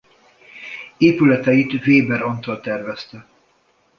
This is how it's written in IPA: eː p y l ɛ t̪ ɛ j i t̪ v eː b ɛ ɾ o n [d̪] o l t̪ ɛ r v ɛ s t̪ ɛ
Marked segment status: incorrect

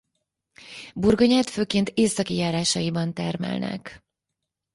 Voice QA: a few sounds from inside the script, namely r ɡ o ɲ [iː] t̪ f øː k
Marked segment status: incorrect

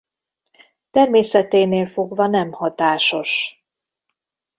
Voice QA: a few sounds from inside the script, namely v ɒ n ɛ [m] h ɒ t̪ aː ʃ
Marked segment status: correct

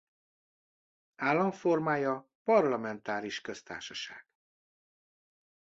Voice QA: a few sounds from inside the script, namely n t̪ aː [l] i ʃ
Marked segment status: incorrect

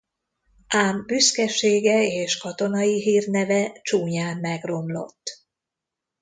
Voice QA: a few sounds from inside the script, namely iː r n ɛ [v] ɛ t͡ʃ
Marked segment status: correct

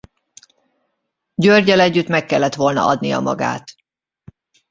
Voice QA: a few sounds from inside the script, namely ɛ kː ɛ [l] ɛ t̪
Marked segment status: incorrect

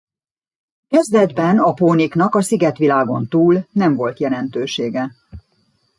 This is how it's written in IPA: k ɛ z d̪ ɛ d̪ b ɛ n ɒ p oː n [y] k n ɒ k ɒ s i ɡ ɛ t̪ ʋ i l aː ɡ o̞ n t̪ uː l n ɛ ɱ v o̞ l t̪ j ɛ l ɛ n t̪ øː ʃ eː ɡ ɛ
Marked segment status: incorrect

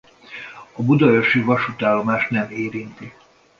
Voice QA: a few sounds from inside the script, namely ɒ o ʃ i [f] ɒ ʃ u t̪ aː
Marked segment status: incorrect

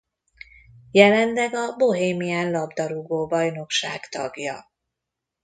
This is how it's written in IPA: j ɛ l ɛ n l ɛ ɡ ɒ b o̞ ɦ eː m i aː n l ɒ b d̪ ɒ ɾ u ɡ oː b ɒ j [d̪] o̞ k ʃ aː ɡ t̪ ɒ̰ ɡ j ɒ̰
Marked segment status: incorrect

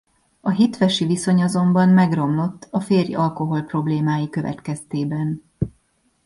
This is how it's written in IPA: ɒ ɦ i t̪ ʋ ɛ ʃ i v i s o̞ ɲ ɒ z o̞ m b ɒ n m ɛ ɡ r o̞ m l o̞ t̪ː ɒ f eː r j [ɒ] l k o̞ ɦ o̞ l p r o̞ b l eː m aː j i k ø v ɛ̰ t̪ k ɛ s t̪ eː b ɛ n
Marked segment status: correct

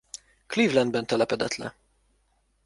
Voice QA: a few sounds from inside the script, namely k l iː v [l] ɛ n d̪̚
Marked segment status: correct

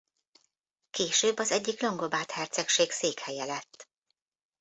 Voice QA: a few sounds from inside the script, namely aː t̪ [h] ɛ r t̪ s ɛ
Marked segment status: correct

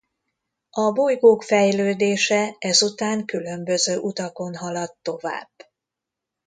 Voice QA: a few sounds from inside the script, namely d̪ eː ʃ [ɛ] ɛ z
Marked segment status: correct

